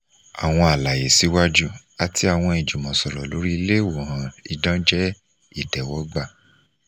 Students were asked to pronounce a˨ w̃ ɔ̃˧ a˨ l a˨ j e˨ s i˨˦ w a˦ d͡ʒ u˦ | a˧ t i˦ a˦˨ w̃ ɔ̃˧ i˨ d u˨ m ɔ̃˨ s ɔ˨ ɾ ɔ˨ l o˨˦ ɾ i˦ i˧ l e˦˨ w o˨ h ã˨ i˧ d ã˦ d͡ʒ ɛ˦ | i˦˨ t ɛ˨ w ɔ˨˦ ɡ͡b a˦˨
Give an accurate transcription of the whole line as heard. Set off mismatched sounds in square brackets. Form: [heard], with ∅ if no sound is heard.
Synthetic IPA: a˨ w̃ ɔ̃˧ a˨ l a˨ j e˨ s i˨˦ w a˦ d͡ʒ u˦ | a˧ t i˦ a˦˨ w̃ ɔ̃˧ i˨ [d͡ʒ] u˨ m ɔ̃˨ s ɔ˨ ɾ ɔ˨ l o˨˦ ɾ i˦ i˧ l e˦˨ w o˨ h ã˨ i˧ d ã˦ d͡ʒ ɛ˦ | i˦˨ t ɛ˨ w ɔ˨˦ ɡ͡b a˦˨